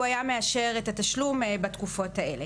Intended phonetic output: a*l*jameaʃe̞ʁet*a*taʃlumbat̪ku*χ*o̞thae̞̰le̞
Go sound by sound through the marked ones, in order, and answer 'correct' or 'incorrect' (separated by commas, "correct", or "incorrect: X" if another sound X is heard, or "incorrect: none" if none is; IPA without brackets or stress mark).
incorrect: none, correct, incorrect: f